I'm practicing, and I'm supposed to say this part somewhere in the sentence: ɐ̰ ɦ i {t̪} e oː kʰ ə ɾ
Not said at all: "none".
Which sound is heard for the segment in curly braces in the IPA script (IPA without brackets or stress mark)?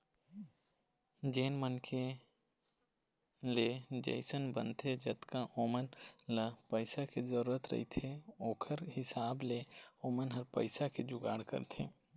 t̪ʰ